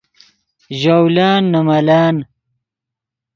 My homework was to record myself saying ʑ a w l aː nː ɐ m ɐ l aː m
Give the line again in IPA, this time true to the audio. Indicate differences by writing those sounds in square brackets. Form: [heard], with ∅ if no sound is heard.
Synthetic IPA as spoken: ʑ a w l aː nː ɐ m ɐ l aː [n]